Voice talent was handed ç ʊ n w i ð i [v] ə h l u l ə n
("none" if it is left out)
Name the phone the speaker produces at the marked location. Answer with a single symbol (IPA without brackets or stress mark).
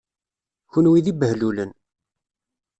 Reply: b